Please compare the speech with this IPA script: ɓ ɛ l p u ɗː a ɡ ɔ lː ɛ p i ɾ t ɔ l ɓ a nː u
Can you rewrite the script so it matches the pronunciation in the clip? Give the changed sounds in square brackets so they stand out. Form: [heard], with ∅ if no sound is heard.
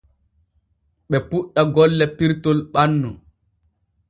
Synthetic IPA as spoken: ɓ ɛ [∅] p u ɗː a ɡ ɔ lː ɛ p i ɾ t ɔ l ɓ a nː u